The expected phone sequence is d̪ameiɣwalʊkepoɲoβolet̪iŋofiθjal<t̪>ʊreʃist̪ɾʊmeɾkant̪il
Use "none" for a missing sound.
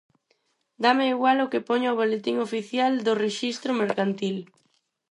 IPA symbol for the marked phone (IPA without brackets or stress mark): d̪